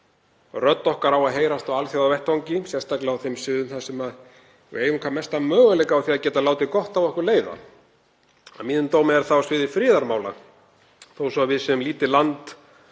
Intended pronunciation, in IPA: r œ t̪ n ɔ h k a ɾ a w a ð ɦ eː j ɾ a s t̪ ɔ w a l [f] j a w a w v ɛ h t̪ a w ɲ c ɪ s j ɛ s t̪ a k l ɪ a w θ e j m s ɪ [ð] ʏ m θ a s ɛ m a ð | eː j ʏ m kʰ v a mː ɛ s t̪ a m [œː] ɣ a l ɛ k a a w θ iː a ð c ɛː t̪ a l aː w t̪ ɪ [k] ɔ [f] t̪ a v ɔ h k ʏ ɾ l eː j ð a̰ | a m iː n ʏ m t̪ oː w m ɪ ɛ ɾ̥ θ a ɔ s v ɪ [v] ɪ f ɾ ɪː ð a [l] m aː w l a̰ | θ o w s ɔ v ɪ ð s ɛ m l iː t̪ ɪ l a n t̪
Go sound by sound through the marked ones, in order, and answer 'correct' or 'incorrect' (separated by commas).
incorrect, correct, correct, correct, incorrect, incorrect, incorrect